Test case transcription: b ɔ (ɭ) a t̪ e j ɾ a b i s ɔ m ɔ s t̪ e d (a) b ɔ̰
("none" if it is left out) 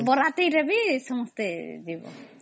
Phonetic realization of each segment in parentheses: ɾ, i

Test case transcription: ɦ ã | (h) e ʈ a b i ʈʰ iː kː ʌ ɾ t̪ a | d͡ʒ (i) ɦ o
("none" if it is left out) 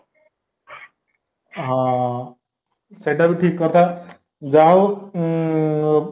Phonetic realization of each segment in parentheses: s, a

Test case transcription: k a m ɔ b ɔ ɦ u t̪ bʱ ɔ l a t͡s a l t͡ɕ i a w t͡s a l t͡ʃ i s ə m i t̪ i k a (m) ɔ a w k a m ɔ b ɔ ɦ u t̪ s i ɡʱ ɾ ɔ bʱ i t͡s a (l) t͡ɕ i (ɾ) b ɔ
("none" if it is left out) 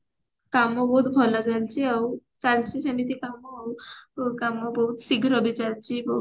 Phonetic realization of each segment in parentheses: m, l, none

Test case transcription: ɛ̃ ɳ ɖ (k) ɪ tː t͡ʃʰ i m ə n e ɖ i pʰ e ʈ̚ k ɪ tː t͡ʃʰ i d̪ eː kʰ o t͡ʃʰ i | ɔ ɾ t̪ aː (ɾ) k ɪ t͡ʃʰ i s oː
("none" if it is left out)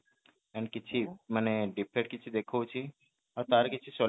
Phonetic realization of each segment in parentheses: k, ɾ

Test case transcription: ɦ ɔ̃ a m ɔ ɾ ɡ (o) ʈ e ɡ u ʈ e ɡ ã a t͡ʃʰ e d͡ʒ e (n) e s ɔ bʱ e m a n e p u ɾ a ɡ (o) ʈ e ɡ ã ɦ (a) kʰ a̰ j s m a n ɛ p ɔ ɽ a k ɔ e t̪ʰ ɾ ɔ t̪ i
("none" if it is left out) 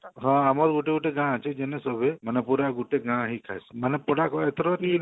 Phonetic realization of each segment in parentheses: u, n, u, i

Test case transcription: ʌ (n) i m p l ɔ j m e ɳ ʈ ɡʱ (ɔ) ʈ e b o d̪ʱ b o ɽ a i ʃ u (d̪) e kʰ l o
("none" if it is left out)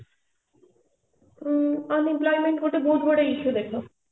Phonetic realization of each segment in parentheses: n, o, d̪

